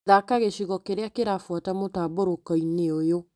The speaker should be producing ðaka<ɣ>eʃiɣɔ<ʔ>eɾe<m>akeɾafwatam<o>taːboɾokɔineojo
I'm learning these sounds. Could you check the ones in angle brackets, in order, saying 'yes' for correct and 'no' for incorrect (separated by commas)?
yes, no, no, yes